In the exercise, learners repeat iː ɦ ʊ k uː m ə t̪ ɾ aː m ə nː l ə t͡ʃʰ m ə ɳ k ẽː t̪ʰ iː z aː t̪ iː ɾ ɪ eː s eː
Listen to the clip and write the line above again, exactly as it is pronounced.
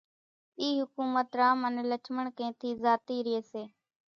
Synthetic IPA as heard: iː ɦ ʊ k uː m ə t̪ ɾ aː m ə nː l ə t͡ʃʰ m ə ɳ k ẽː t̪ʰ iː z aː t̪ iː ɾ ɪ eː s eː